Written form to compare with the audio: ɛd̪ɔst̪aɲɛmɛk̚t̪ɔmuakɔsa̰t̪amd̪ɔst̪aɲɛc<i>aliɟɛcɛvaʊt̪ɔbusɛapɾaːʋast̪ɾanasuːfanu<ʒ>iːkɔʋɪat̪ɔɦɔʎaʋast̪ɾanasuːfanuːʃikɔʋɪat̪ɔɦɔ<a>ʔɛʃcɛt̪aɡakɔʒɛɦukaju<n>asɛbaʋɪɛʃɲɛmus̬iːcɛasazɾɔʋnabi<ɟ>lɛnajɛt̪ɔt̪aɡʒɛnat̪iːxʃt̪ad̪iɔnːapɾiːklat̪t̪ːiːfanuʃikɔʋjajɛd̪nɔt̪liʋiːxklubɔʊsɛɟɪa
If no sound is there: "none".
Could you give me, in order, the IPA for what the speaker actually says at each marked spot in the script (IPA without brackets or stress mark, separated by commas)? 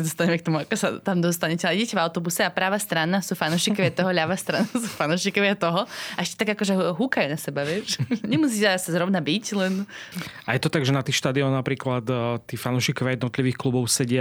ɛ, ʃ, a, n, c